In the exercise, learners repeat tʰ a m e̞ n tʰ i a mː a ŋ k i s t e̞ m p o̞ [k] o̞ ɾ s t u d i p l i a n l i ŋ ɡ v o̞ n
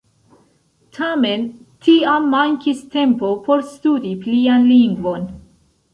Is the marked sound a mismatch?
yes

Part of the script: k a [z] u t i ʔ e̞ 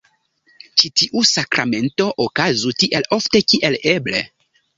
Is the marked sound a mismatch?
no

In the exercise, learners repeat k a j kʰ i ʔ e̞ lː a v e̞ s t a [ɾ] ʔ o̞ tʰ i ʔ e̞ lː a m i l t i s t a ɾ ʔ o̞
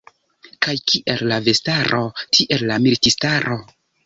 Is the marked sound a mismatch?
no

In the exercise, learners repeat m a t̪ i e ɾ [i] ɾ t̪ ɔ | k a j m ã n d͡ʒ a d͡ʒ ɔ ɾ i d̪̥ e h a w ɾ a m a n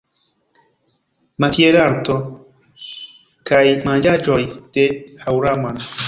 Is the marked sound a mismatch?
yes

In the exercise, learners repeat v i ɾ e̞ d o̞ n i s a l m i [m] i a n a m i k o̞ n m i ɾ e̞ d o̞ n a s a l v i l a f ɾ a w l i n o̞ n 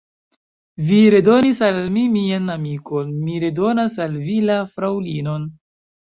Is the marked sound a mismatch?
no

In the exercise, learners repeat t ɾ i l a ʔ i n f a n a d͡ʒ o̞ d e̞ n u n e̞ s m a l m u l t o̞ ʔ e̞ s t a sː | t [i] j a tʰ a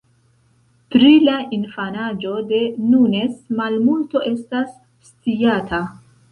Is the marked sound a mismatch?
no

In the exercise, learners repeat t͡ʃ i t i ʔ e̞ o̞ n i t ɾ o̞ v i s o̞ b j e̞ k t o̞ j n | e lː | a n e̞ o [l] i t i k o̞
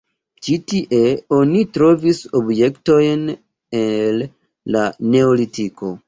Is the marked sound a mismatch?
no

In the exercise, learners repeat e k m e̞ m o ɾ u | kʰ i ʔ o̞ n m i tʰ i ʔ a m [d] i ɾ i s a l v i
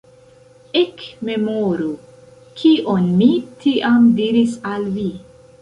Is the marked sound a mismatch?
no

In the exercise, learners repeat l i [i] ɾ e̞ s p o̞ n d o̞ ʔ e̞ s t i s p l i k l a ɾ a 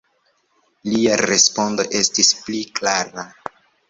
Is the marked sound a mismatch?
yes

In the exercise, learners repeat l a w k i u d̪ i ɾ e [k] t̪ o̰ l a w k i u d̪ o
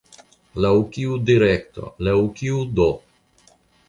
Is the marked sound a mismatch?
no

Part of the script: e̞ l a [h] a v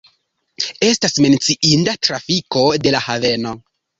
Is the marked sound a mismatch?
no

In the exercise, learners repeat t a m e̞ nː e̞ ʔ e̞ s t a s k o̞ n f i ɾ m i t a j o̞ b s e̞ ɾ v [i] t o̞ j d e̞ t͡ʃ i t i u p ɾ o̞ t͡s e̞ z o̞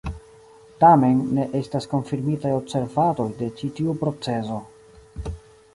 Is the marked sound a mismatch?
yes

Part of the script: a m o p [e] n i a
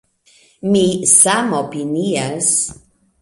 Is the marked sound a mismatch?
yes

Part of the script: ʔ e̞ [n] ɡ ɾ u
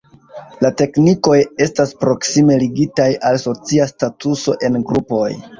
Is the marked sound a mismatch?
no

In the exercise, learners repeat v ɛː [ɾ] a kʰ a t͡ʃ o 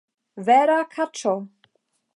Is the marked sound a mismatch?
no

